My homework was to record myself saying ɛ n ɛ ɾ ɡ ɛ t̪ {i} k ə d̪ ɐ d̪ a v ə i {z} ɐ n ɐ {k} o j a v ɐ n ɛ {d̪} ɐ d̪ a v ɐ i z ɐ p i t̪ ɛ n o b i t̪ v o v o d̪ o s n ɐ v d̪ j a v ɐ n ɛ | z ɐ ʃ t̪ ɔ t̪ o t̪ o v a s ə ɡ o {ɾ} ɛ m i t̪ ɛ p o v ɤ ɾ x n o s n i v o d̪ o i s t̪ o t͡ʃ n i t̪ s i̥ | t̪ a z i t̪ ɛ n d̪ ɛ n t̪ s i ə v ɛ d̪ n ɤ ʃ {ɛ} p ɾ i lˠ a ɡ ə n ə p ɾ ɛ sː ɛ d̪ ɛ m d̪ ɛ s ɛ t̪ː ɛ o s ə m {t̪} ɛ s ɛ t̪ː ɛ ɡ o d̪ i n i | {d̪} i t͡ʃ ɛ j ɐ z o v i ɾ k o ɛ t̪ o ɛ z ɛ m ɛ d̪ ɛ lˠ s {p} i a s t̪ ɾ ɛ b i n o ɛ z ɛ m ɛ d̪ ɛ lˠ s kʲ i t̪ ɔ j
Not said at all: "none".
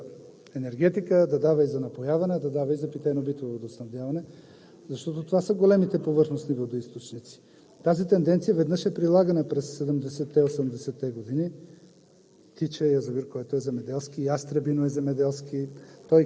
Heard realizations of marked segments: i, z, p, d̪, l, ɛ, d̪, t̪, k

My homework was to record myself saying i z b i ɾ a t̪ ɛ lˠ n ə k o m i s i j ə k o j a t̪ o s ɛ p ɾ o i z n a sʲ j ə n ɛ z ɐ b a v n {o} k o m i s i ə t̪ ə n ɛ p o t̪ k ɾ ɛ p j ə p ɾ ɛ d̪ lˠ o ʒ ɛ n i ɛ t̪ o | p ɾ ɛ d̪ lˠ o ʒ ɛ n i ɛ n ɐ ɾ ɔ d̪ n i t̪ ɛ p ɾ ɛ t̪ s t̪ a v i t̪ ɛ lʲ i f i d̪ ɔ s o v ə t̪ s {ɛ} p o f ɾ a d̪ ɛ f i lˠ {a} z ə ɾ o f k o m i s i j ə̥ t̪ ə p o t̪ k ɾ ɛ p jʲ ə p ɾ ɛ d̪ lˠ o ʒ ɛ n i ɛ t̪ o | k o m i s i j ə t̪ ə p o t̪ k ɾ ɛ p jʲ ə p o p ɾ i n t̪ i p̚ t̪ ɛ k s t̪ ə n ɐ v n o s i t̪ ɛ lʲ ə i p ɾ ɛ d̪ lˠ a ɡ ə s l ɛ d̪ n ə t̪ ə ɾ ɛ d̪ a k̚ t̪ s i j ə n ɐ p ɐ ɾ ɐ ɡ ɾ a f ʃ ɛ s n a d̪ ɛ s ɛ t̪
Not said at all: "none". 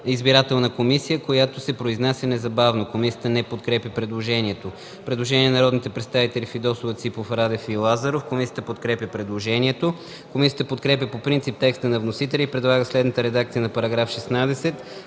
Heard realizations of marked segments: o, i, a

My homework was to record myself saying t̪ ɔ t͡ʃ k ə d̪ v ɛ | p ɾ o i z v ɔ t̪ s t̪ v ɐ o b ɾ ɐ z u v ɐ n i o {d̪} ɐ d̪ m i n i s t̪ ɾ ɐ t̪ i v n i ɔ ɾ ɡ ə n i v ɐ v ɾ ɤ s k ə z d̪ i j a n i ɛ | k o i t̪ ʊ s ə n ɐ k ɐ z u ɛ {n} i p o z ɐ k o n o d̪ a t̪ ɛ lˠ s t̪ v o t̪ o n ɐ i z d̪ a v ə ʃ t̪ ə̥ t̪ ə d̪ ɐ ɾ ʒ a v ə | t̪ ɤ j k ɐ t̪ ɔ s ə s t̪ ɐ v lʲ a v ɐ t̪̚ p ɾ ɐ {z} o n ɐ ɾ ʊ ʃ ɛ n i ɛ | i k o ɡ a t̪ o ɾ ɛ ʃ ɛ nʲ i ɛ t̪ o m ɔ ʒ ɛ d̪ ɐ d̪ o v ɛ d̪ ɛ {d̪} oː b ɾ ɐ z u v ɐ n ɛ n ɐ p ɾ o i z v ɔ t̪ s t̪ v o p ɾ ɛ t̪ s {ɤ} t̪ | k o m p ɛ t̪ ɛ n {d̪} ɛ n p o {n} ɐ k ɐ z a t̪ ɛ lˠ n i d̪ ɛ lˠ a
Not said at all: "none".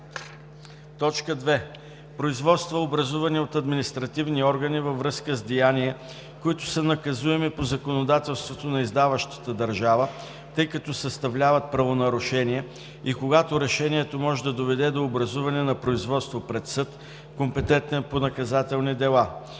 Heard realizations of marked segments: t̪, m, v, d̪, ɤ, t̪, n

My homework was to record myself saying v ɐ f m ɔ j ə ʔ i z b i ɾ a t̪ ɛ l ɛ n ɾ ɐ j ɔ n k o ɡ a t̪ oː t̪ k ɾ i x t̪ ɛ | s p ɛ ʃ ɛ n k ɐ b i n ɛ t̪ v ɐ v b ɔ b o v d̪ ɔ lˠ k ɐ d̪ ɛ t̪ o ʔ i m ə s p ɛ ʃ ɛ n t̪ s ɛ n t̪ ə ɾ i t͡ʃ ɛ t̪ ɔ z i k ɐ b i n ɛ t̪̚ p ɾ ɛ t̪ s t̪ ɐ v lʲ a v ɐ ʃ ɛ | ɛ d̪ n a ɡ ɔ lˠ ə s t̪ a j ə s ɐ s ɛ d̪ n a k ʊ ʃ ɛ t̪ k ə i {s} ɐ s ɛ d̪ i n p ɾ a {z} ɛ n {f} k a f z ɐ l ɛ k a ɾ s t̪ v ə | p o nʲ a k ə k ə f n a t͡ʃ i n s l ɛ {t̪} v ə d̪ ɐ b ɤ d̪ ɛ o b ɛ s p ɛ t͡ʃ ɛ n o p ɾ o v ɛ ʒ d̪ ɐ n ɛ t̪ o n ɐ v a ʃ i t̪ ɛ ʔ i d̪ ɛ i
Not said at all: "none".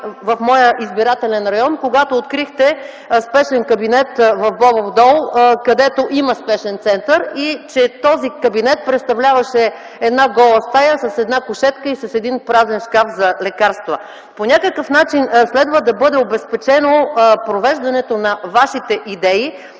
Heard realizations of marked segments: s, z, ʃ, d̪

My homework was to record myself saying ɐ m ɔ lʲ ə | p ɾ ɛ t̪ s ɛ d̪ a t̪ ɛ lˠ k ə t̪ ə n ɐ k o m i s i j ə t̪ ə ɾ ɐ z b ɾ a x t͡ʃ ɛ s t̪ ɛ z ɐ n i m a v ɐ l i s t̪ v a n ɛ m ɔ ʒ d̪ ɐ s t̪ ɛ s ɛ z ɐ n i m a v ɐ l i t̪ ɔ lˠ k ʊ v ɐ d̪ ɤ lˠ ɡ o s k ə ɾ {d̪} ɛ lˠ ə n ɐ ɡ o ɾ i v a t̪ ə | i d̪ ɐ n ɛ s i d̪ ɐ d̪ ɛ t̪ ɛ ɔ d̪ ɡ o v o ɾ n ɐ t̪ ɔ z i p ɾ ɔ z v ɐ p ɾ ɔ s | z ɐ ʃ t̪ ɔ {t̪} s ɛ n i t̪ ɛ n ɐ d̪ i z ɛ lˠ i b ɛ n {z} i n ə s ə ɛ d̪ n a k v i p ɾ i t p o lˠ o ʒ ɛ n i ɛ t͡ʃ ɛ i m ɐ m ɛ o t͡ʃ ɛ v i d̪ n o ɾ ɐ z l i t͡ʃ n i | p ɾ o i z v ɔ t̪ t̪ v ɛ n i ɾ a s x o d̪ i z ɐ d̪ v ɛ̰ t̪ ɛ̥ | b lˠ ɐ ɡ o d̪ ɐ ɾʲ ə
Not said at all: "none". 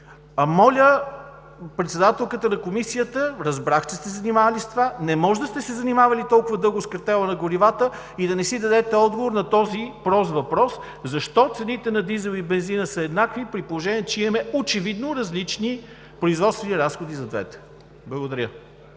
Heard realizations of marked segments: t̪, t̪, z

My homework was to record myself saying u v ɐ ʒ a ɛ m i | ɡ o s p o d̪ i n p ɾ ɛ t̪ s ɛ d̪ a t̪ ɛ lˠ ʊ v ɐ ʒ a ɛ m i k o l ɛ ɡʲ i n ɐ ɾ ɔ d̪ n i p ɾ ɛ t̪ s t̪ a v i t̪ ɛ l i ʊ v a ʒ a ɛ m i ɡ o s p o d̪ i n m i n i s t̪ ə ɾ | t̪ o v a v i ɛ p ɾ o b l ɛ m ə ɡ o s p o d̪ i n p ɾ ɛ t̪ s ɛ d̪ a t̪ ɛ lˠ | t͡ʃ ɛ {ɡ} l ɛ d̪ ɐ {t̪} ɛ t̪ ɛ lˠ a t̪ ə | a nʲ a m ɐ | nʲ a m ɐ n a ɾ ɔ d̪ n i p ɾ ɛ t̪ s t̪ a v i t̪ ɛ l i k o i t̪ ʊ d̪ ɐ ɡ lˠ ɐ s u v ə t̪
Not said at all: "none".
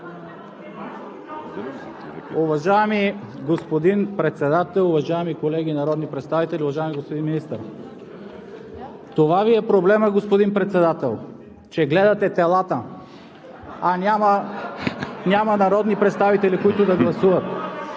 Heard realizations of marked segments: ɡ, t̪

